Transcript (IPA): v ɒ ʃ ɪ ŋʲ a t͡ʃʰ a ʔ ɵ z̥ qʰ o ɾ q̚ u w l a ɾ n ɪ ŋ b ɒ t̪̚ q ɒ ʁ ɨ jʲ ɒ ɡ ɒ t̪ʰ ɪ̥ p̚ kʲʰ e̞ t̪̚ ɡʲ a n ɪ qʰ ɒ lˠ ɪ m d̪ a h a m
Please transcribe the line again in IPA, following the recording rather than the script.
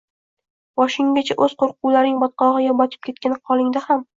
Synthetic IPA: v ɒ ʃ ɪ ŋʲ a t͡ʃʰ a ʔ ɵ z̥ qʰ o ɾ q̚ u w l a ɾ n ɪ ŋ b ɒ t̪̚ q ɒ ʁ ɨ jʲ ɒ b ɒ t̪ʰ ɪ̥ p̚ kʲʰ e̞ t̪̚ kʲ a n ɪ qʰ ɒ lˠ ɪ ŋ d̪ a h a m